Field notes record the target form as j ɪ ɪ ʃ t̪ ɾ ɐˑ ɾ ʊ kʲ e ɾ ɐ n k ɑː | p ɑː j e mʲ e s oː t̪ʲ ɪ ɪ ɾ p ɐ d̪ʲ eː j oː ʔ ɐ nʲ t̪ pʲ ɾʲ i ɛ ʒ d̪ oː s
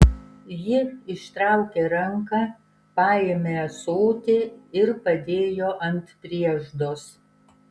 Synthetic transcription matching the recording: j ɪ ɪ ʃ t̪ ɾ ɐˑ ʊ kʲ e ɾ ɐ ŋ k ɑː | p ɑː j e mʲ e s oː t̪ʲ ɪ ɪ ɾ p ɐ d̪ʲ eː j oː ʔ ɐ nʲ t̪ pʲ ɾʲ i ɛ ʒ d̪ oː s